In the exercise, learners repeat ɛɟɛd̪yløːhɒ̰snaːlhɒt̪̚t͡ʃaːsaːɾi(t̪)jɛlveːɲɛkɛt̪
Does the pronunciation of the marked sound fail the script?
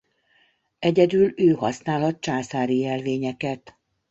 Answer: yes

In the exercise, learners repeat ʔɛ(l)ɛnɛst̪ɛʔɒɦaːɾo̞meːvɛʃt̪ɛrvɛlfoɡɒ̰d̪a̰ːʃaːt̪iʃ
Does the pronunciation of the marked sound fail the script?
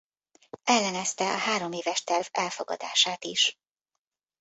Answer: yes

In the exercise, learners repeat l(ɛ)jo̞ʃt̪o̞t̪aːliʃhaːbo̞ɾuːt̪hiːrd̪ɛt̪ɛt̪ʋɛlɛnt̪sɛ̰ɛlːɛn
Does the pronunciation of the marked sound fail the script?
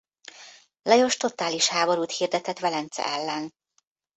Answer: no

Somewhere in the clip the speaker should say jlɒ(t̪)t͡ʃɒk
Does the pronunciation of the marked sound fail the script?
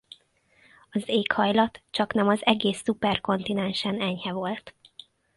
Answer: no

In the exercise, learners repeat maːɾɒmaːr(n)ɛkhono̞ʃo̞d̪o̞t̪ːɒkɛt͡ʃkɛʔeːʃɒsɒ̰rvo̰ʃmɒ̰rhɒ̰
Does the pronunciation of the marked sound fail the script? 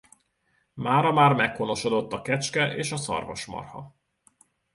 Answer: yes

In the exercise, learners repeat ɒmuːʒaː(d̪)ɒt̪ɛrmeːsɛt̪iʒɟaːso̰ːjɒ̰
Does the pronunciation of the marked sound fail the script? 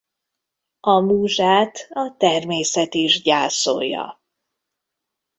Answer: yes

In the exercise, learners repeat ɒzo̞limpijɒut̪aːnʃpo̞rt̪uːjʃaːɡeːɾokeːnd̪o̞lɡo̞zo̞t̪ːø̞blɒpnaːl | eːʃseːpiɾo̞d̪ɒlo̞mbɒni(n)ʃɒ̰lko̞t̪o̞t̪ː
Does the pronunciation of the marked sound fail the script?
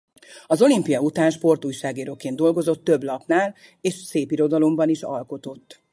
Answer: yes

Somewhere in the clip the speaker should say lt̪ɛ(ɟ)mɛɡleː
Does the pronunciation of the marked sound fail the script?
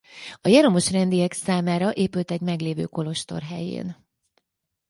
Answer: no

